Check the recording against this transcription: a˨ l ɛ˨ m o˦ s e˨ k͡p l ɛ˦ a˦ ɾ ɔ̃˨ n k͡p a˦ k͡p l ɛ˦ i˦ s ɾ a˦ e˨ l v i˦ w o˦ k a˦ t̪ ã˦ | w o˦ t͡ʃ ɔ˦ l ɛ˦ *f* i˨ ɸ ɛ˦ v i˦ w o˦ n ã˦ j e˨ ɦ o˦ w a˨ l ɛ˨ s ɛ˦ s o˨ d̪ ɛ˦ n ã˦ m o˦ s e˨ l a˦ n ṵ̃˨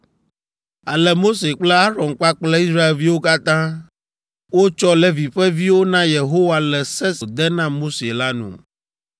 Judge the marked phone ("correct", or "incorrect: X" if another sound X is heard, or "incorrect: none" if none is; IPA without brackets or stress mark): incorrect: v